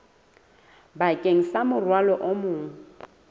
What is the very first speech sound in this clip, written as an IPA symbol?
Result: b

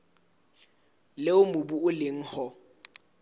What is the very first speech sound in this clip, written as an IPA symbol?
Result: l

